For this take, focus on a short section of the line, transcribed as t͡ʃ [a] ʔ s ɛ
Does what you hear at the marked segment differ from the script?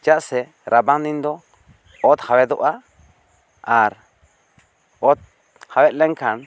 no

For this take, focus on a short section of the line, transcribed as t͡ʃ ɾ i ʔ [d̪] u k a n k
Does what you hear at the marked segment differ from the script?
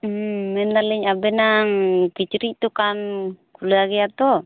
yes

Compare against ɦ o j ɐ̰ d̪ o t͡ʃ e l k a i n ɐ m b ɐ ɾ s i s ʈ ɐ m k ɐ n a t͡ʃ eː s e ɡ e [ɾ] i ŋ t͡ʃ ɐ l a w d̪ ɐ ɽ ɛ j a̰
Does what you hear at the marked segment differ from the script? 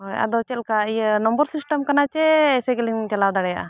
yes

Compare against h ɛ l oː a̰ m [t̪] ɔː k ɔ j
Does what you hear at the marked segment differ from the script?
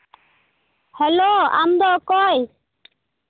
yes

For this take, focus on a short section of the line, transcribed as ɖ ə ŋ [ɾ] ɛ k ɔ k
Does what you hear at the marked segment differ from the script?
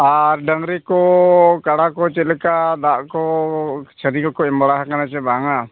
no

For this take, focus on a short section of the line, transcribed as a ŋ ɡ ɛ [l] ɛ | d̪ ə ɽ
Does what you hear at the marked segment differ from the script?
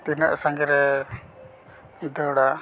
yes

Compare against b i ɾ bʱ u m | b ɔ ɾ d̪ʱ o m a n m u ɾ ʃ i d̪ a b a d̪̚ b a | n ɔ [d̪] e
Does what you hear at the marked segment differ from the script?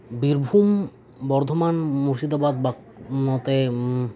yes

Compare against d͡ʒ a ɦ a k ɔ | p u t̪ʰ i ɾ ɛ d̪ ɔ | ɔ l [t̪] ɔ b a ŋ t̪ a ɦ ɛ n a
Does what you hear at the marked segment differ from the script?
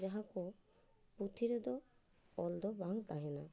yes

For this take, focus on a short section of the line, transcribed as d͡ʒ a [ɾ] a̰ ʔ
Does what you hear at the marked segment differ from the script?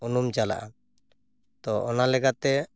yes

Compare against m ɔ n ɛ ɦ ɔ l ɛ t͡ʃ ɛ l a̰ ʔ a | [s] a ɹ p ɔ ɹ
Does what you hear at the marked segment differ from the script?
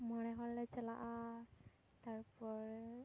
yes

